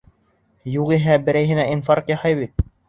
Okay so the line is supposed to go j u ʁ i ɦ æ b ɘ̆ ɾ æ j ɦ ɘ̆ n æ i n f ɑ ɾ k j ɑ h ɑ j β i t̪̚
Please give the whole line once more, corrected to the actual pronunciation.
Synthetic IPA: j u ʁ i ɦ æ b ɘ̆ ɾ æ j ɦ ɘ̆ n æ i n f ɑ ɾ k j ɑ h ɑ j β i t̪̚